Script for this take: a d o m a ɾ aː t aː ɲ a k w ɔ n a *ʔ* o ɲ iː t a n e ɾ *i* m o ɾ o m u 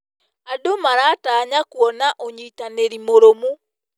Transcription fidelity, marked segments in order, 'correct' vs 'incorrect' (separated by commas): correct, correct